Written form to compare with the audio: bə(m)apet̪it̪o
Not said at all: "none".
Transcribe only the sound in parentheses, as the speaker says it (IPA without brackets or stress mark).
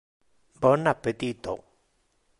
n